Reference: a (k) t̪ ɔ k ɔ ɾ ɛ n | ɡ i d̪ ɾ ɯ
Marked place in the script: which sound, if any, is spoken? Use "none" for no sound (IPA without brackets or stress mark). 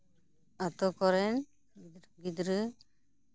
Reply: none